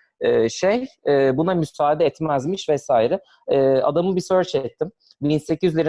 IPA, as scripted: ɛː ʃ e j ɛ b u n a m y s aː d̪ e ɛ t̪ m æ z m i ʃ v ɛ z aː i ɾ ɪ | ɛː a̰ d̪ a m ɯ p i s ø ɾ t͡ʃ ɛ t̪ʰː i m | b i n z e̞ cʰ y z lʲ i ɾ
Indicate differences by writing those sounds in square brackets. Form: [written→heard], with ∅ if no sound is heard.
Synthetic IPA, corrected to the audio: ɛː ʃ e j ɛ b u n a m y s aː d̪ [e→ɛ] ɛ t̪ m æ z m i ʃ v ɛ [z→s] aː i ɾ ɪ | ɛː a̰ d̪ a m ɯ [p→b] i s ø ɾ t͡ʃ ɛ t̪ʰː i m | b i n [z→s] e̞ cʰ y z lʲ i ɾ